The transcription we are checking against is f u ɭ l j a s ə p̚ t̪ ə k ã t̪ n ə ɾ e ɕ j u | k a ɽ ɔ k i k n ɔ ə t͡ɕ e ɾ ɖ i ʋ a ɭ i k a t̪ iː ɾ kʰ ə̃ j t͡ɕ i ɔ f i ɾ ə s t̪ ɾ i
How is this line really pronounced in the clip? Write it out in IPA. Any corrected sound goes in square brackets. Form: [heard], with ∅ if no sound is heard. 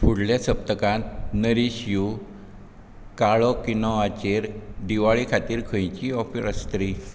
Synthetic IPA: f u [ɽ] l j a s ə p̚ t̪ ə k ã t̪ n ə ɾ [i] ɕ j u | k a [ɭ] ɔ k i [∅] n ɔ [a] t͡ɕ e ɾ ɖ i ʋ a ɭ i [kʰ] a t̪ iː ɾ kʰ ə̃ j t͡ɕ i ɔ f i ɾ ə s t̪ ɾ i